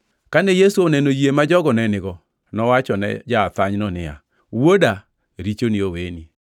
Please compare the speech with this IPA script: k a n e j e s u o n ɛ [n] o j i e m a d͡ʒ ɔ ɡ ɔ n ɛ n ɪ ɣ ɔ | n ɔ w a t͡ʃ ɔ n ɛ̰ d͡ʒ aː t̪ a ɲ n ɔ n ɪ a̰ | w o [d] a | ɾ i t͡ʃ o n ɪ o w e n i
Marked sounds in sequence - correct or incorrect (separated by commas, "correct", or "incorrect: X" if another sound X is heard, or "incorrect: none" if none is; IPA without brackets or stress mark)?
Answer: correct, correct